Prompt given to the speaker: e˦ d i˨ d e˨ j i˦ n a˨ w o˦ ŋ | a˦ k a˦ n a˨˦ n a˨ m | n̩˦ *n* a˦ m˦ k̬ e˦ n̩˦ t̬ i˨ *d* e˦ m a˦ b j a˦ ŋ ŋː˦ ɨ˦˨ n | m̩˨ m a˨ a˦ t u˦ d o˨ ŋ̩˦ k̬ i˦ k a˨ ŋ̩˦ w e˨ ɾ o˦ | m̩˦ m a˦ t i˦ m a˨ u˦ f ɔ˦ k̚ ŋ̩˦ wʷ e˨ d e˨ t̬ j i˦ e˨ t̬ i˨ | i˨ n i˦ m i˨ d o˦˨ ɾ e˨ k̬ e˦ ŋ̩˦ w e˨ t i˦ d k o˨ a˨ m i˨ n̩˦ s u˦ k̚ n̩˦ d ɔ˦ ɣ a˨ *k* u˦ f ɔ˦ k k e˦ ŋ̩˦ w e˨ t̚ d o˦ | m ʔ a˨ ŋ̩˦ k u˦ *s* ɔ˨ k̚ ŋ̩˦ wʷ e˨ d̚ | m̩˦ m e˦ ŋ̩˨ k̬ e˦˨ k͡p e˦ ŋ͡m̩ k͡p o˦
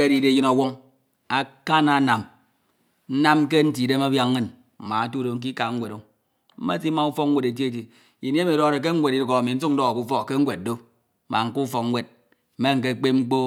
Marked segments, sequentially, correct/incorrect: correct, correct, correct, incorrect: f

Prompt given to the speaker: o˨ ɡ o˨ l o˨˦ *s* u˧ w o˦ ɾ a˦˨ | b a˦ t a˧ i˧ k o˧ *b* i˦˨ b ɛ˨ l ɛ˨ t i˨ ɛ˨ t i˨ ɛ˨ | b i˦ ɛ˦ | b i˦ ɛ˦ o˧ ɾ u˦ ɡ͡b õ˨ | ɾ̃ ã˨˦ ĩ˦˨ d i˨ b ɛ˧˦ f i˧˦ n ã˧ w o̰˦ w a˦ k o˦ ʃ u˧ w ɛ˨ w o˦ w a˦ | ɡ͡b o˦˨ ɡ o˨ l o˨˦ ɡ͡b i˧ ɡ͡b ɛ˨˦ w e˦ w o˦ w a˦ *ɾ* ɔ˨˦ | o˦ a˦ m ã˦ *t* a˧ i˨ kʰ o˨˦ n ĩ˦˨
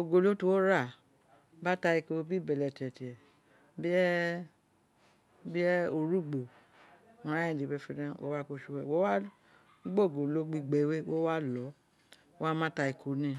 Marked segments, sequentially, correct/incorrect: incorrect: t, correct, incorrect: l, correct

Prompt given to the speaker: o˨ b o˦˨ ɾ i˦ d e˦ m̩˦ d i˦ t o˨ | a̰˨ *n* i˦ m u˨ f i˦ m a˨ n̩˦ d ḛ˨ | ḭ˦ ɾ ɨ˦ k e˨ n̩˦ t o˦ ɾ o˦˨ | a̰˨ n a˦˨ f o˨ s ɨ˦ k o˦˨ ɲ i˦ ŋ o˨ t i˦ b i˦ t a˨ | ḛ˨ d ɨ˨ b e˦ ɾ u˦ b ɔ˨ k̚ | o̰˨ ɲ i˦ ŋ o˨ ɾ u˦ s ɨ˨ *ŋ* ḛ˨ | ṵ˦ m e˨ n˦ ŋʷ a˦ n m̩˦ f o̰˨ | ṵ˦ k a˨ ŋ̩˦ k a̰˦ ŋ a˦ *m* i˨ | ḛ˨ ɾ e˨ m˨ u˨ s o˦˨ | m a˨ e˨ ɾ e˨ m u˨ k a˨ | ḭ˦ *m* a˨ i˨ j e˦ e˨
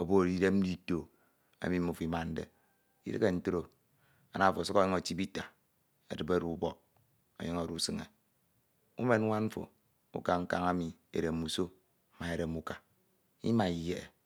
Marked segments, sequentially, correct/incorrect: incorrect: m, correct, correct, correct

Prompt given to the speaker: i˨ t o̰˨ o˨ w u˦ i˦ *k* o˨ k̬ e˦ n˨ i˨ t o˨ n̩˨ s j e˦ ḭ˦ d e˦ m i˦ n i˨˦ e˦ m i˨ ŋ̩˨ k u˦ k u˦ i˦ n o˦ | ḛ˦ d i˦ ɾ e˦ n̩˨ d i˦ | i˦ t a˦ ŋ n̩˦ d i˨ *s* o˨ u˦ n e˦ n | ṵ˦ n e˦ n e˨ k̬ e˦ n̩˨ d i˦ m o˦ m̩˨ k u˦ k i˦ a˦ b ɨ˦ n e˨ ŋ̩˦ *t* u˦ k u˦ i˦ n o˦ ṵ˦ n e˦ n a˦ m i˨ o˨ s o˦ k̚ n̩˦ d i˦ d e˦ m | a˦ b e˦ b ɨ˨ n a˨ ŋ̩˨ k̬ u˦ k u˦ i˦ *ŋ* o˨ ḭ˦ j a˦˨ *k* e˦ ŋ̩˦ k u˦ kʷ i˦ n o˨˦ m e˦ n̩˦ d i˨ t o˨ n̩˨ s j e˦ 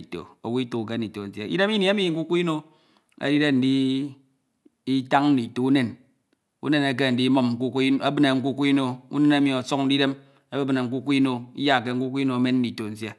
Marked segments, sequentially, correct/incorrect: incorrect: t, incorrect: t, incorrect: k, incorrect: n, correct

